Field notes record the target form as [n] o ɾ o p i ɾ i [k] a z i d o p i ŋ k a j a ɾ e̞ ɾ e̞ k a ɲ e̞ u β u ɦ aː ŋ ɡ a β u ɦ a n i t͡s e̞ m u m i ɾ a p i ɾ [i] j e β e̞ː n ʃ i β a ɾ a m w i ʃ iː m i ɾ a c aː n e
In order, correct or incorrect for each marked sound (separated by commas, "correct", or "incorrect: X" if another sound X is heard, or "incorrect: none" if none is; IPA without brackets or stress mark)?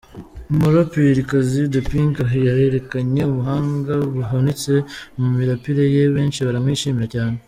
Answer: incorrect: m, correct, incorrect: e